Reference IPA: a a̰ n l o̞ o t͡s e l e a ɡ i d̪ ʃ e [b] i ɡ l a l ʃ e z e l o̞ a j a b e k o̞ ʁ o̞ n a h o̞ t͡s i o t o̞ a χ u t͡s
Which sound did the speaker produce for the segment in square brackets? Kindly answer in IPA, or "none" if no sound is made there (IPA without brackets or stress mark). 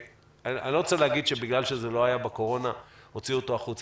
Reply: b